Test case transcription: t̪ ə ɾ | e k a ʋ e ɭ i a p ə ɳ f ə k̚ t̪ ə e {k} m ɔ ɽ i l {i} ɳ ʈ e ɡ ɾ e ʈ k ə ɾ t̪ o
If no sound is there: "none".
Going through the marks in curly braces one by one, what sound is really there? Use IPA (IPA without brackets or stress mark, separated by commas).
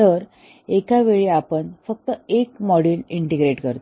k, i